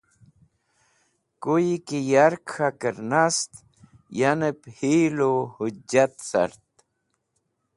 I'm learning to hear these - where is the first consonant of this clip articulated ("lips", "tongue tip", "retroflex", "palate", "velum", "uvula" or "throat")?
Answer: velum